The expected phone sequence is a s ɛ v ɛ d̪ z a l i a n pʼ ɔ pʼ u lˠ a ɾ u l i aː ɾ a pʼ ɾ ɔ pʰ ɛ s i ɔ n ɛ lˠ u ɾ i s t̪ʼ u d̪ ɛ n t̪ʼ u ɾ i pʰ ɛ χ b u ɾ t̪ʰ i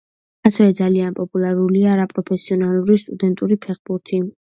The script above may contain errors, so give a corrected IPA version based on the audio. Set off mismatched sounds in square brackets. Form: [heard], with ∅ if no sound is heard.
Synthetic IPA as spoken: a s ɛ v ɛ d̪ z a l i a n pʼ ɔ pʼ u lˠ a ɾ u l i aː ɾ a pʼ ɾ ɔ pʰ ɛ s i ɔ n [a] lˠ u ɾ i s t̪ʼ u d̪ ɛ n t̪ʼ u ɾ i pʰ ɛ χ b u ɾ t̪ʰ i